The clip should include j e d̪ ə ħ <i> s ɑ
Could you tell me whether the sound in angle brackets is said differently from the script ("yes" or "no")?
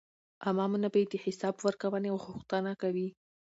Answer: yes